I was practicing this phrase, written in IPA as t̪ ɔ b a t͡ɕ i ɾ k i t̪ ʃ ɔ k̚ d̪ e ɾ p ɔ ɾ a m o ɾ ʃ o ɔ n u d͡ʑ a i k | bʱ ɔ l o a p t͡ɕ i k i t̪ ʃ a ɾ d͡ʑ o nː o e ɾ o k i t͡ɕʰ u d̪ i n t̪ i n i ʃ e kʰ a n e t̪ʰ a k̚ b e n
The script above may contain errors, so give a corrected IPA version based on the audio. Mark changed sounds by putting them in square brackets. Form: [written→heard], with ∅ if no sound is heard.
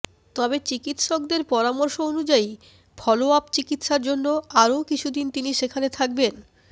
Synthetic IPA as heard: t̪ ɔ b [a→e] t͡ɕ i [ɾ→∅] k i t̪ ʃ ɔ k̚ d̪ e ɾ p ɔ ɾ a m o ɾ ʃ o [ɔ→o] n u d͡ʑ a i [k→∅] | bʱ ɔ l o a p t͡ɕ i k i t̪ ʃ a ɾ d͡ʑ o nː o [e→a] ɾ o k i t͡ɕʰ u d̪ i n t̪ i n i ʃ e kʰ a n e t̪ʰ a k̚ b e n